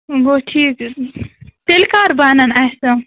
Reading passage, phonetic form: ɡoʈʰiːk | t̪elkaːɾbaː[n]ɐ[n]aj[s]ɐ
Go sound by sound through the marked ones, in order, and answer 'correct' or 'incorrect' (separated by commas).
correct, correct, correct